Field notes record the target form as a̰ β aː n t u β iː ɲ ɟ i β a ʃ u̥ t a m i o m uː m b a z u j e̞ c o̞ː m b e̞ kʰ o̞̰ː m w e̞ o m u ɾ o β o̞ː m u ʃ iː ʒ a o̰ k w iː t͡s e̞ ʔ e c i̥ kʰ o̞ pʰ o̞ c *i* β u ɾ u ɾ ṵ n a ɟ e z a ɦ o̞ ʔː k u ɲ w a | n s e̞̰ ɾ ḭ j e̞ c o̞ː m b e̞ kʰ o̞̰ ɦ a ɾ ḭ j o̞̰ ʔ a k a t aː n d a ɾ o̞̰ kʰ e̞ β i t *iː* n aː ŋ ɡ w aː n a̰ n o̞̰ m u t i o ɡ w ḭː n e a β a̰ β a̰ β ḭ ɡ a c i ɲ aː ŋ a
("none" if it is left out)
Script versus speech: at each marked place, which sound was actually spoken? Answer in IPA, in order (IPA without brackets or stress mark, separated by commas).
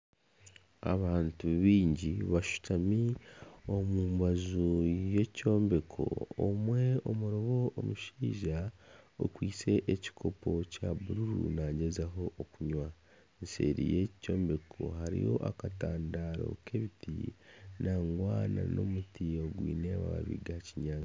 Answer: a, i